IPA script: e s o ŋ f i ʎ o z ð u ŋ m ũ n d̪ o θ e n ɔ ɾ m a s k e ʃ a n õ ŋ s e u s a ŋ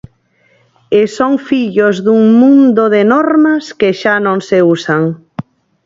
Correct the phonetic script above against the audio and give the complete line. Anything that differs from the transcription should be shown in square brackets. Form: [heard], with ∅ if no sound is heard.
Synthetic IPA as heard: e s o ŋ f i ʎ o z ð u ŋ m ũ n d̪ o [ð] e n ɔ ɾ m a s k e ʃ a n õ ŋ s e u s a ŋ